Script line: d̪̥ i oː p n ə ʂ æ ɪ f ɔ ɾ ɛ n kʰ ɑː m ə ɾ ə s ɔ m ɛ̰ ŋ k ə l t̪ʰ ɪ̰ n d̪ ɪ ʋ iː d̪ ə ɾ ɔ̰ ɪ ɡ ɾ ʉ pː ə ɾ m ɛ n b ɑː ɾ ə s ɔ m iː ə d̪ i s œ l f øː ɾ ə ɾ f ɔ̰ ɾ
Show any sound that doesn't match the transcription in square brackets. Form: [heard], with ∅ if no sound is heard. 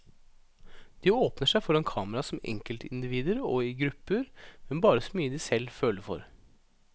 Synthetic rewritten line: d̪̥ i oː p n ə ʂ æ ɪ f ɔ ɾ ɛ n kʰ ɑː m ə ɾ [ɑ] s ɔ m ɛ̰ ŋ k ə l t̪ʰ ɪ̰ n d̪ ɪ ʋ iː d̪ ə ɾ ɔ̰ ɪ ɡ ɾ ʉ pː ə ɾ m ɛ n b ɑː ɾ ə s ɔ m [yː] ə d̪ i s [ɛ] l f øː [l] ə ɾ f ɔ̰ ɾ